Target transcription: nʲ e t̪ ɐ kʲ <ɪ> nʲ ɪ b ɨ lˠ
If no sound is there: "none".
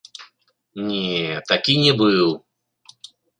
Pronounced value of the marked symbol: i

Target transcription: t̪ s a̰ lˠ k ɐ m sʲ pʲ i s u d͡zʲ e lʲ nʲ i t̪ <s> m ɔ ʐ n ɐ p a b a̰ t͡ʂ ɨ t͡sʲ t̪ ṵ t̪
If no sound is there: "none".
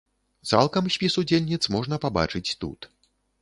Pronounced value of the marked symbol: s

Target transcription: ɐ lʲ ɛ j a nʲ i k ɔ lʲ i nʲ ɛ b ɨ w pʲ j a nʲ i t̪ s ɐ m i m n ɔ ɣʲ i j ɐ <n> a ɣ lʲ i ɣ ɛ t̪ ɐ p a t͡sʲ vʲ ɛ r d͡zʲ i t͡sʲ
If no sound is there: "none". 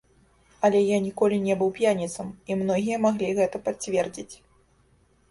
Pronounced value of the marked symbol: m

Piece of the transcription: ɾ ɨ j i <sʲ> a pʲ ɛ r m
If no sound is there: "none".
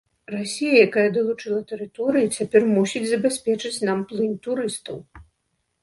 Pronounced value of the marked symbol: t͡sʲ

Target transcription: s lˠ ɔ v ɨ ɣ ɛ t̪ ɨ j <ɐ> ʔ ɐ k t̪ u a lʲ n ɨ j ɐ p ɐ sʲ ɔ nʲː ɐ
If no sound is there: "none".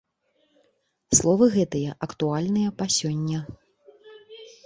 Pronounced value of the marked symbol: ɐ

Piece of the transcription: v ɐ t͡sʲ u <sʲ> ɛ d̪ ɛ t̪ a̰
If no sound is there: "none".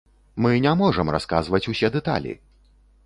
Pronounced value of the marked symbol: sʲ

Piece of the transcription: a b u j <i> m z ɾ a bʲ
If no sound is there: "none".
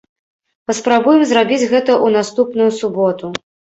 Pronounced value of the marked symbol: ɛ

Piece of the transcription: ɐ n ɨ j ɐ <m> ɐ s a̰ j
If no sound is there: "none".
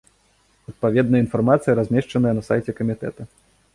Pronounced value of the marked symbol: n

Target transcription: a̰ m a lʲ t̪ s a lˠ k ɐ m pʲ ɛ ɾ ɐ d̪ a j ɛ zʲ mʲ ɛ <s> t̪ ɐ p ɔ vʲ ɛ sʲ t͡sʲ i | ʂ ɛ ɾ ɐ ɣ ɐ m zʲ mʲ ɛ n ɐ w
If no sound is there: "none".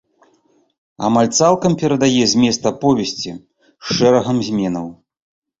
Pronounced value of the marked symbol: s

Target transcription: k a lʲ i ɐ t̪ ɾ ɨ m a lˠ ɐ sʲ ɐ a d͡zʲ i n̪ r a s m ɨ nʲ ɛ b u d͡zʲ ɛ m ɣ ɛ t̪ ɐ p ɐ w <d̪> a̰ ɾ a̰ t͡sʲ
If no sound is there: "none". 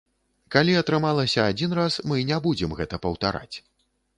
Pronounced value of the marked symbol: t̪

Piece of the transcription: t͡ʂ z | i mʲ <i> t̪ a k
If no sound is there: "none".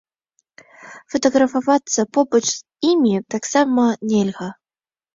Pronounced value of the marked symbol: i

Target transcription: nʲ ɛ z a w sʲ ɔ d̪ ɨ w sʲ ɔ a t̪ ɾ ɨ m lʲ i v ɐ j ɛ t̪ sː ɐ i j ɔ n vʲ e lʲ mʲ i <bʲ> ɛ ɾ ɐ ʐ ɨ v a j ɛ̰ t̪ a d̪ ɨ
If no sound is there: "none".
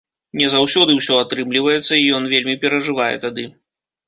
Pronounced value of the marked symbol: pʲ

